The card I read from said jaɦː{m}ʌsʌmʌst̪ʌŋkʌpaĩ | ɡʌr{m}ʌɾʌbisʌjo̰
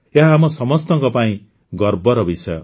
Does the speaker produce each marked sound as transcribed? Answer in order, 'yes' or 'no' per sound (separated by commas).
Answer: yes, no